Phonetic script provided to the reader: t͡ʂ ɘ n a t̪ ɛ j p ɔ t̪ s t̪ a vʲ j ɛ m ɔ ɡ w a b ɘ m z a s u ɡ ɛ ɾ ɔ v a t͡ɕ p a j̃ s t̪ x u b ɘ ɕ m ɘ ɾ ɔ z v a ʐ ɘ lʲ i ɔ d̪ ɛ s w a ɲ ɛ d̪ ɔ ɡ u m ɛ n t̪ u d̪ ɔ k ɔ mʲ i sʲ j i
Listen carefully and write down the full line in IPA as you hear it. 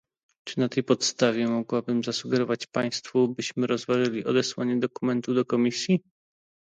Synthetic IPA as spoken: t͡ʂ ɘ n a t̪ ɛ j p ɔ t̪ s t̪ a vʲ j ɛ m ɔ ɡ w a b ɘ m z a s u ɡ ɛ ɾ ɔ v a t͡ɕ p a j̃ s t̪ f u b ɘ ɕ m ɘ ɾ ɔ z v a ʐ ɘ lʲ i ɔ d̪ ɛ s w a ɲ ɛ d̪ ɔ k u m ɛ n t̪ u d̪ ɔ k ɔ mʲ i sʲ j i

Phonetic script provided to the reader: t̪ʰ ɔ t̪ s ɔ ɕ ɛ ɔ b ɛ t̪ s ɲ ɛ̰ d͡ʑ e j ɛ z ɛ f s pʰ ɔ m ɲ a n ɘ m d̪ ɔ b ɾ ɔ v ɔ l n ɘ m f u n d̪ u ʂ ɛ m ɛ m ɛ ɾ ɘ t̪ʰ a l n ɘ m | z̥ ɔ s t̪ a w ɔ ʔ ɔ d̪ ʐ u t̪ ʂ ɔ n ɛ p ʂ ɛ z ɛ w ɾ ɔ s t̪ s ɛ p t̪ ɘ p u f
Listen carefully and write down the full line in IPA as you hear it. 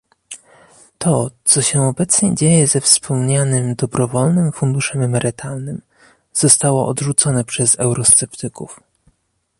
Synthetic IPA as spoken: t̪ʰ ɔ t̪ s ɔ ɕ ɛ ɔ b ɛ t̪ s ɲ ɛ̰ d͡ʑ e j ɛ z ɛ f s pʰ ɔ m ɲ a n ɘ m d̪ ɔ b ɾ ɔ v ɔ l n ɘ m f u n d̪ u ʂ ɛ m ɛ m ɛ ɾ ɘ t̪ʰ a l n ɘ m | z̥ ɔ s t̪ a w ɔ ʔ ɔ d̪ ʐ u t̪ s ɔ n ɛ p ʂ ɛ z ɛ w ɾ ɔ s t̪ s ɛ p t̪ ɘ k u f

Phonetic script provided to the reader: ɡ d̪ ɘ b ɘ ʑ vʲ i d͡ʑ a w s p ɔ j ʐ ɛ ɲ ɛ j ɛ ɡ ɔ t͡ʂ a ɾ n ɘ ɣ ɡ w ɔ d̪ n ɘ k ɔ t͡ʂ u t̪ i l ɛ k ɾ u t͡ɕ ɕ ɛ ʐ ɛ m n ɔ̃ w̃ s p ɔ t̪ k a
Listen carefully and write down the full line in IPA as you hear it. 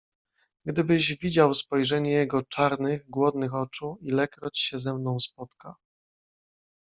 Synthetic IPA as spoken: ɡ d̪ ɘ b ɘ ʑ vʲ i d͡ʑ a w s p ɔ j ʐ ɛ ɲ ɛ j ɛ ɡ ɔ t͡ʂ a ɾ n ɘ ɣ ɡ w ɔ d̪ n ɘ x ɔ t͡ʂ u i l ɛ k ɾ ɔ t͡ɕ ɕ ɛ z ɛ m n ɔ̃ w̃ s p ɔ t̪ k a

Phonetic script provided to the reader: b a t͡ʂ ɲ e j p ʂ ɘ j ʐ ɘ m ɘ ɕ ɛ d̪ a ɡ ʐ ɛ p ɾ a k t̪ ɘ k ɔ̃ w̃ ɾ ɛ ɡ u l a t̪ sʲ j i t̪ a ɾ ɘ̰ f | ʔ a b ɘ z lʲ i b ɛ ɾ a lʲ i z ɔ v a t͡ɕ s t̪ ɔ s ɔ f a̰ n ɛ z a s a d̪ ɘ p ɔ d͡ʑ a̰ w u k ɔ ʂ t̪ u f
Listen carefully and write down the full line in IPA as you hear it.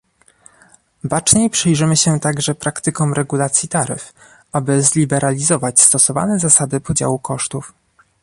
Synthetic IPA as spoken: b a t͡ʂ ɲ e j p ʂ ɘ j ʐ ɘ m ɘ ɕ ɛ t̪ a ɡ ʐ ɛ p ɾ a k t̪ ɘ k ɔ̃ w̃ ɾ ɛ ɡ u l a t̪ sʲ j i t̪ a ɾ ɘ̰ f | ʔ a b ɘ z lʲ i b ɛ ɾ a lʲ i z ɔ v a t͡ɕ s t̪ ɔ s ɔ v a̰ n ɛ z a s a d̪ ɘ p ɔ d͡ʑ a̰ w u k ɔ ʂ t̪ u f

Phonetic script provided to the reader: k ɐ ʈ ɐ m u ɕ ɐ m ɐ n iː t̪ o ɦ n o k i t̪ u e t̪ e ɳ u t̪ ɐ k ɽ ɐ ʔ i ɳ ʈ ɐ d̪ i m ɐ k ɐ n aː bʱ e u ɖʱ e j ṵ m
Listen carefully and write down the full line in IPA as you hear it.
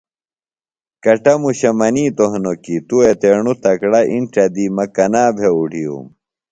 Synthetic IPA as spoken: k ɐ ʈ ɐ m u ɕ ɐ m ɐ n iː t̪ o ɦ n o k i t̪ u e t̪ e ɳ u t̪ ɐ k ɽ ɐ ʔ i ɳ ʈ ɐ d̪ i m ɐ k ɐ n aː bʱ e u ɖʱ i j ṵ m

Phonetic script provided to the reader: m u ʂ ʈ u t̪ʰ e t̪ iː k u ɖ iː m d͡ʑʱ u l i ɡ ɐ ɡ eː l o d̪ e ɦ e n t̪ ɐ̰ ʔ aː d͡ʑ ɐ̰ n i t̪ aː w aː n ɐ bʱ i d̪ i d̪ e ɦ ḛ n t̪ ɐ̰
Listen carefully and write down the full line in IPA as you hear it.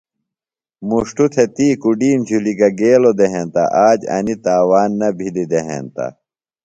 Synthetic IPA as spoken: m u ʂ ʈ u t̪ʰ e t̪ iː k u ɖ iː m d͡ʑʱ u l i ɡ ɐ ɡ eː l o d̪ e ɦ e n t̪ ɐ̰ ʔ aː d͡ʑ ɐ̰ n i t̪ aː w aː nː ɐ bʱ i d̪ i d̪ e ɦ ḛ n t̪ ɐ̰

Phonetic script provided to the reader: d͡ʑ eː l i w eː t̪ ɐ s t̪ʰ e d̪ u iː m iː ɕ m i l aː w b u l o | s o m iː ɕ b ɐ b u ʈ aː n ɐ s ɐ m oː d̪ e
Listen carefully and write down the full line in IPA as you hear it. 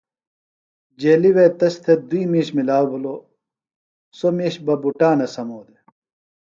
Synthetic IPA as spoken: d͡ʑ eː l i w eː t̪ ɐ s t̪ʰ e d̪ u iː m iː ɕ m i l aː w b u l o | s o m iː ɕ b ɐ b u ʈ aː n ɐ s ɐ m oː d̪ e

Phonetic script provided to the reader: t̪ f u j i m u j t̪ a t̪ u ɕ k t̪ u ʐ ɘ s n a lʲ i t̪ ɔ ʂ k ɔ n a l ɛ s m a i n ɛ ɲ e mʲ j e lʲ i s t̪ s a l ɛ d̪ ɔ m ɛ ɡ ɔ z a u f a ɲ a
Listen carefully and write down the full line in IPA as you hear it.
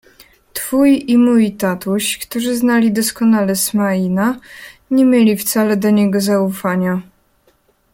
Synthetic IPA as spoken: t̪ f u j i m u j t̪ a t̪ u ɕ k t̪ u ʐ ɘ z n a lʲ i d̪ ɔ s k ɔ n a l ɛ s m a i n a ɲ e mʲ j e lʲ i f t̪ s a l ɛ d̪ ɔ ɲ ɛ ɡ ɔ z a u f a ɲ a

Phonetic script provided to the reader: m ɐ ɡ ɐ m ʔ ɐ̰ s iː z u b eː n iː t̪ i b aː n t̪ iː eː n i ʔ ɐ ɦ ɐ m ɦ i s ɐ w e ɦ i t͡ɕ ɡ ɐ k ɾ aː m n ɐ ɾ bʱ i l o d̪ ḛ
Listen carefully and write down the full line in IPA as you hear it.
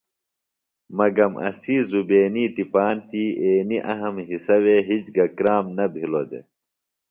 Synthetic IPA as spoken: m ɐ ɡ ɐ m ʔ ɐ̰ s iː z u b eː n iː t̪ i p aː n t̪ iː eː n i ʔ ɐ ɦ ɐ m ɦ i s ɐ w e ɦ i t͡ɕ ɡ ɐ k ɾ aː m n ɐ bʱ i l o d̪ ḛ

